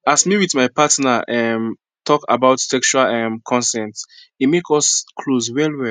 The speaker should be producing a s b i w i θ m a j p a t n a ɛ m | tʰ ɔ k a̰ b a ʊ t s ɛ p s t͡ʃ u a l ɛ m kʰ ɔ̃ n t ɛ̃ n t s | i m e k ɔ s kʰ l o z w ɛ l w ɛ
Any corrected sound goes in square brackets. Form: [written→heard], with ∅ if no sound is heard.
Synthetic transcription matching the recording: a s [b→m] i w i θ m a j p a t n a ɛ m | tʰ ɔ k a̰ b a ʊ t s ɛ [p→k] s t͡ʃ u a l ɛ m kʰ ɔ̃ n [t→s] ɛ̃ n t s | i m e k ɔ s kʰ l o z w ɛ l w ɛ